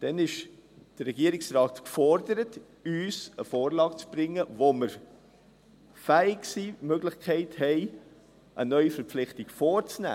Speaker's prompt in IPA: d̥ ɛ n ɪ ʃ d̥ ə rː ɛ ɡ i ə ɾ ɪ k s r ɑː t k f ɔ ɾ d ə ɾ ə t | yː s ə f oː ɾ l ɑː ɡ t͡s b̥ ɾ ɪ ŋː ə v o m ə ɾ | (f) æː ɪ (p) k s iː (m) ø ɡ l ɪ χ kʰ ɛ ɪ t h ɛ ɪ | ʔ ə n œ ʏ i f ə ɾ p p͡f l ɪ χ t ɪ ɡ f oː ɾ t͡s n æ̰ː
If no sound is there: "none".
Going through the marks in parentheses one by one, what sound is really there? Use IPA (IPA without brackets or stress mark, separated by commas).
f, none, m